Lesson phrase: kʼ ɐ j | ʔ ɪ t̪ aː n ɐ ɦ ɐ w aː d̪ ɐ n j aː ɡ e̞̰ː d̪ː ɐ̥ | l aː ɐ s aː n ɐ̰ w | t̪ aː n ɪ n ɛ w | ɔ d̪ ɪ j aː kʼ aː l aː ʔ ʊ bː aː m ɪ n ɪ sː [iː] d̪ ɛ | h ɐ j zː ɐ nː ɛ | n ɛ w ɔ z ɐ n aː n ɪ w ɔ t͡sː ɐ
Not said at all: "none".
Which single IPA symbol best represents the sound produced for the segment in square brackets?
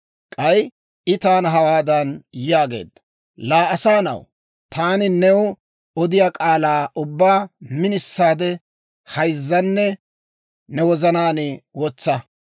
aː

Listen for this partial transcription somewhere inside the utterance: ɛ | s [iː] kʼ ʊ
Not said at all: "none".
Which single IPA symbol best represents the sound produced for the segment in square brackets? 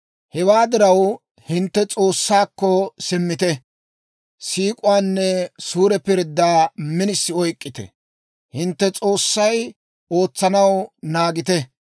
iː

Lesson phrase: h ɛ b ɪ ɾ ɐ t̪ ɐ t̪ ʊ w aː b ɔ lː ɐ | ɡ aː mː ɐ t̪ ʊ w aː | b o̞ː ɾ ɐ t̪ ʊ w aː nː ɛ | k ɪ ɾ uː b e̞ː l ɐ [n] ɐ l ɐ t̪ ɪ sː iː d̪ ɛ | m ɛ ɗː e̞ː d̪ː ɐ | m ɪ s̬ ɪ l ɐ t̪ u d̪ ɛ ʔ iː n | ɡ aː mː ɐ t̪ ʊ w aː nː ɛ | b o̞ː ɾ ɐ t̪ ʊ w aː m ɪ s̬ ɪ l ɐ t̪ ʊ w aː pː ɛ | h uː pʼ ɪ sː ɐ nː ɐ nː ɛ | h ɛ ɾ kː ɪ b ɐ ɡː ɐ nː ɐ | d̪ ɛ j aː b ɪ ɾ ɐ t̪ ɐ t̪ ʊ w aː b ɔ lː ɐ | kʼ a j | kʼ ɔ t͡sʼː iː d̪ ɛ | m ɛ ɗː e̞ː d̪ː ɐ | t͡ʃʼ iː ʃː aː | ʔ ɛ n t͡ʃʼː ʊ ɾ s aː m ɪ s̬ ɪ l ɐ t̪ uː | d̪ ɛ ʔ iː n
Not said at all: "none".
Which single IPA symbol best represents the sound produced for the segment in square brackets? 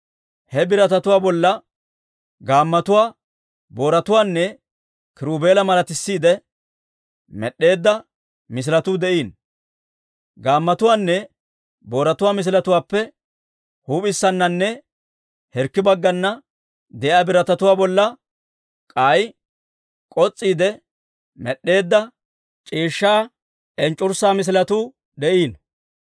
m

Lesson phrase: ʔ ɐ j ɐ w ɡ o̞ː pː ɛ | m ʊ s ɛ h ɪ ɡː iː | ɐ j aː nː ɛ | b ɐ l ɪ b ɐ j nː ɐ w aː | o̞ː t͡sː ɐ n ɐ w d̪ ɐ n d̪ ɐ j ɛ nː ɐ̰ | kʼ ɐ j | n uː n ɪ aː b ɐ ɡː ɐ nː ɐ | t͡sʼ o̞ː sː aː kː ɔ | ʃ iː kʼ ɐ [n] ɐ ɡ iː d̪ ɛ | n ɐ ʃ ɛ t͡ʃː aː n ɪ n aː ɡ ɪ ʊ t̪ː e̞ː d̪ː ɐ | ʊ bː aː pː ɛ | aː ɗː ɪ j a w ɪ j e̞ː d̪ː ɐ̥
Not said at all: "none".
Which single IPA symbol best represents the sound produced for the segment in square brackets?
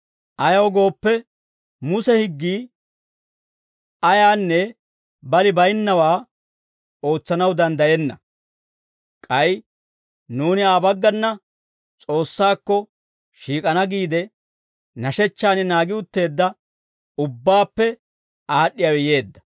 n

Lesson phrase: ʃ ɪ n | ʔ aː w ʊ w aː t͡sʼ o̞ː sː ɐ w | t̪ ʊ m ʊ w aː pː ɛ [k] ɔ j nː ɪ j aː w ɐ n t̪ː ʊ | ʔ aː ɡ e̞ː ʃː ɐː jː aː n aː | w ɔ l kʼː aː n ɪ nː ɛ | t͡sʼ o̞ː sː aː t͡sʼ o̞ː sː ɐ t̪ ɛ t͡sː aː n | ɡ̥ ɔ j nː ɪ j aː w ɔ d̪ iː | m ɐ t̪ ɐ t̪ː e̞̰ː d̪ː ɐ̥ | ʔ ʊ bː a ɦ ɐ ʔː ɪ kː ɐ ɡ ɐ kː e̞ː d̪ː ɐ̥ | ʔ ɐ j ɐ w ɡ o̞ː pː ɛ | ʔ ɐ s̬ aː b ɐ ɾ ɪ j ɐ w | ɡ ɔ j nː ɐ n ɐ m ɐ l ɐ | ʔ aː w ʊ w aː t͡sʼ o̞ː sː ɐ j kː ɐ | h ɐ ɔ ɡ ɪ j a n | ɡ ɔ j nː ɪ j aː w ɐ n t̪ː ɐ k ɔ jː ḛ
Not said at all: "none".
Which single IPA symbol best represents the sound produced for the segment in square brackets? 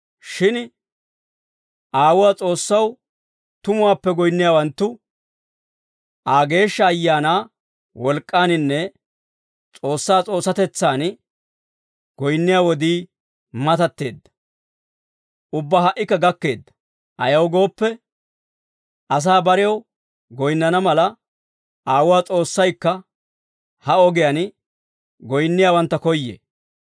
ɡ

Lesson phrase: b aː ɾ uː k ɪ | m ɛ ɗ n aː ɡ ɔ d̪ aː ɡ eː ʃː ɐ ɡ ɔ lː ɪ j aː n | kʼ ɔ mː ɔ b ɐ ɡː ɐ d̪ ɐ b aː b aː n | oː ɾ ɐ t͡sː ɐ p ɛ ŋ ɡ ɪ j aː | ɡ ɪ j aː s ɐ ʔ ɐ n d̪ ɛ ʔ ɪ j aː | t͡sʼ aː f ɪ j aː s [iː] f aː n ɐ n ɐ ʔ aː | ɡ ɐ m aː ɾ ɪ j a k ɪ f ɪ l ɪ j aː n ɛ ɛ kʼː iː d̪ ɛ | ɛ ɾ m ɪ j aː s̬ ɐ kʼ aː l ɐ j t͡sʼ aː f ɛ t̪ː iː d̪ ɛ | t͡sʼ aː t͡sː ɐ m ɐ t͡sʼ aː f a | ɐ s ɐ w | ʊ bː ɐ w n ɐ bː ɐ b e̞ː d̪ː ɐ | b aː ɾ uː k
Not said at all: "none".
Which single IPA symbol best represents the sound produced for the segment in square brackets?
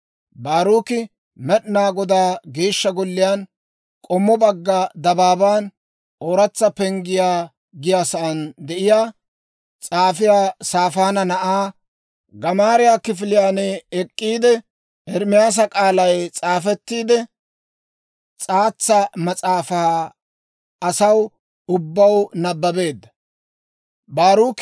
aː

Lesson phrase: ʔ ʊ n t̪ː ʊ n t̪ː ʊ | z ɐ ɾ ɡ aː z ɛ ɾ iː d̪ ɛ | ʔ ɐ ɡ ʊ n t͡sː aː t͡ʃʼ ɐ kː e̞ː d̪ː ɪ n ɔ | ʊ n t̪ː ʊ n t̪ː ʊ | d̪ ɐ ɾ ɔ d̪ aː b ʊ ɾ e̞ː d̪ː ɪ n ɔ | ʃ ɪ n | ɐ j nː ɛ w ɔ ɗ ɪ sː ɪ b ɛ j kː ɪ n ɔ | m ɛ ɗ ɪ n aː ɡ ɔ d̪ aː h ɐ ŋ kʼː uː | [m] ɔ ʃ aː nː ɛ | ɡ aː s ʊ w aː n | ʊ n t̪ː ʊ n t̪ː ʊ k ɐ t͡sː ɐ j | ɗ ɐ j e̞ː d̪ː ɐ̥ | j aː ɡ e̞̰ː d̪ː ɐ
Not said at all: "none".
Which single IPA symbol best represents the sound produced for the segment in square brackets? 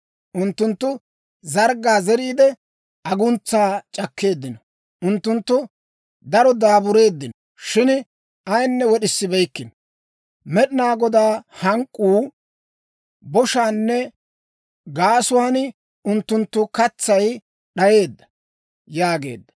b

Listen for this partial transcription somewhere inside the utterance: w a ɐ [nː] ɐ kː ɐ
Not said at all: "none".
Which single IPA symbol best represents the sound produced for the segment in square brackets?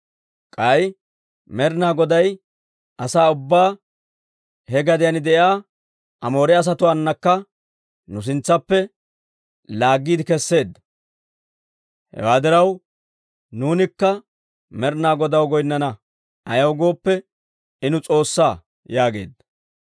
nː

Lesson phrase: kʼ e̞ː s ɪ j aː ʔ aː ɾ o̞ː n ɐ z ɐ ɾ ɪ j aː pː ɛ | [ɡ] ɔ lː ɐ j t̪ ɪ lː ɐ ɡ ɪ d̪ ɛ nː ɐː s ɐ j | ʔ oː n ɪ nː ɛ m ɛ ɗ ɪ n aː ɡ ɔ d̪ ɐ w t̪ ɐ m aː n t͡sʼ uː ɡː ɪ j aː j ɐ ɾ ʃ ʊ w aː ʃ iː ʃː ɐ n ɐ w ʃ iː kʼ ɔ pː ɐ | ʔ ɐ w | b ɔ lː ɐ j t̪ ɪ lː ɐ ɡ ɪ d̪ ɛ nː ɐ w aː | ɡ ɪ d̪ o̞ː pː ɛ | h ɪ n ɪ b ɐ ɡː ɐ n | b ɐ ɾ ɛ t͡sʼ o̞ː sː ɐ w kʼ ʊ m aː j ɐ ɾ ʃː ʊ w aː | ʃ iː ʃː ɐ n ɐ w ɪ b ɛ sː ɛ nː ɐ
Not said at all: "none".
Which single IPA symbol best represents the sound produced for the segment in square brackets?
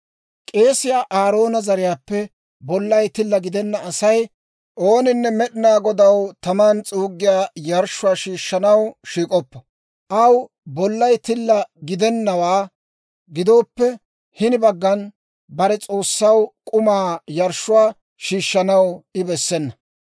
b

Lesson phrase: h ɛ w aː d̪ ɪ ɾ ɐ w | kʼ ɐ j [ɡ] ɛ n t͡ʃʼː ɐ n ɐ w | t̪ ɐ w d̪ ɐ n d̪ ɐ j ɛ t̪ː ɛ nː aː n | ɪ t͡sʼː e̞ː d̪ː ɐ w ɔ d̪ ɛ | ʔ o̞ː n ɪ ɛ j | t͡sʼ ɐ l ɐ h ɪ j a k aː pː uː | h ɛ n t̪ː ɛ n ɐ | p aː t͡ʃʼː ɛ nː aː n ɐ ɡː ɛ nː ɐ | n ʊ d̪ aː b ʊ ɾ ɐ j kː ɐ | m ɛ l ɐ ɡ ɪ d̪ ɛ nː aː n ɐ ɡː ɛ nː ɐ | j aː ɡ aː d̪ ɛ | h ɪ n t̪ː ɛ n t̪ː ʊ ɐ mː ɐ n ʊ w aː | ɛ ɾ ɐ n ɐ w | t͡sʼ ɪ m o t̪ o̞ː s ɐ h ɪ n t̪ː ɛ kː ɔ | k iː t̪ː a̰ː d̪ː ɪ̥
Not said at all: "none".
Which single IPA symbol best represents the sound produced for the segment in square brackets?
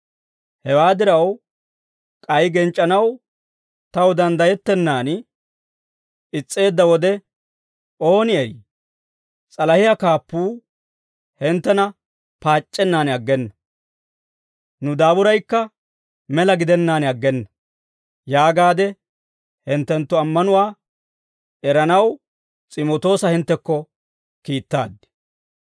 ɡ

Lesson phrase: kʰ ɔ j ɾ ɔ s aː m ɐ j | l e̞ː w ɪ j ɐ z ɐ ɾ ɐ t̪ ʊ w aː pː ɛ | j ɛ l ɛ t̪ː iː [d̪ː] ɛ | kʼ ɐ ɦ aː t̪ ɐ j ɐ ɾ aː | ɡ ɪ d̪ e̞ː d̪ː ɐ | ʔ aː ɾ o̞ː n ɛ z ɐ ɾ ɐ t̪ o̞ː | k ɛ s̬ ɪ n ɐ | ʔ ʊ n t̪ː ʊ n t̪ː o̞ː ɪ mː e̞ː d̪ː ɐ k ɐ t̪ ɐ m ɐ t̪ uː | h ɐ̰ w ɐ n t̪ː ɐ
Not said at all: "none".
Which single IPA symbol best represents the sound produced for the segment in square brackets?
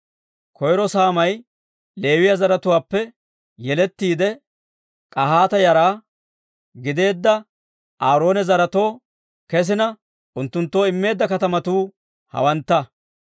d̪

